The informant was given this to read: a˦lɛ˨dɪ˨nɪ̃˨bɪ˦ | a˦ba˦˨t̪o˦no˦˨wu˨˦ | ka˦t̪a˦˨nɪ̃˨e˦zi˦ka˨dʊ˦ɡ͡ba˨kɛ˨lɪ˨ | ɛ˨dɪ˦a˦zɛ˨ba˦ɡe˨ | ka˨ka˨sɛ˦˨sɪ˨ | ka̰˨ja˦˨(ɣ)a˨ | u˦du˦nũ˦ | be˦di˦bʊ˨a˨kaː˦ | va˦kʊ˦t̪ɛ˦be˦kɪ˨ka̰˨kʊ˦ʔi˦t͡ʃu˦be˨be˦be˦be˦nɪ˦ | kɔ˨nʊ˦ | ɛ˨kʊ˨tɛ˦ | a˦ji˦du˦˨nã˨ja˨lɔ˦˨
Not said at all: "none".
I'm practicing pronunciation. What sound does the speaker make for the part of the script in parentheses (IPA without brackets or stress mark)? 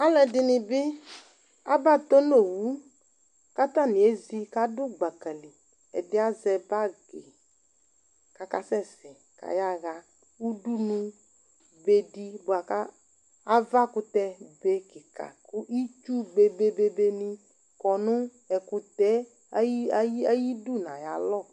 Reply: ɣ